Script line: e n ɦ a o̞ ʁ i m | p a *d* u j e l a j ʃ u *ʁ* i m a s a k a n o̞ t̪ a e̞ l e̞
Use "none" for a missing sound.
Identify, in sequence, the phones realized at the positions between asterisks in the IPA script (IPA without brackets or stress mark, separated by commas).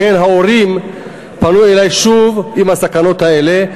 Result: n, v